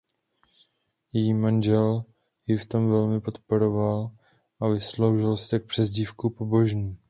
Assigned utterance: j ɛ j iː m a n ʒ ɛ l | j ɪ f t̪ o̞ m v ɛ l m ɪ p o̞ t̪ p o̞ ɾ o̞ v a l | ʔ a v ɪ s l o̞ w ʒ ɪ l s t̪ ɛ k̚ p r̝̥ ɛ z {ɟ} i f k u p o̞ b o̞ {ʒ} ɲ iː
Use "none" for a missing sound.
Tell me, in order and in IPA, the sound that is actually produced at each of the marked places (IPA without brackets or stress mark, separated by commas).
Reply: ɟ, ʒ